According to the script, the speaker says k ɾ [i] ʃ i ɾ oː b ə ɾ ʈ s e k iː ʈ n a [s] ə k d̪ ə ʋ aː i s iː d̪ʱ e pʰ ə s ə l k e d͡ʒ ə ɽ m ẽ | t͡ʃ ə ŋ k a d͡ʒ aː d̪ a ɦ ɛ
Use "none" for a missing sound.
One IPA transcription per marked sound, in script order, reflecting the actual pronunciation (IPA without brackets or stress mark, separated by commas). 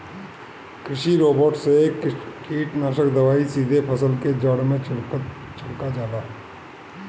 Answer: ɪ, ʃ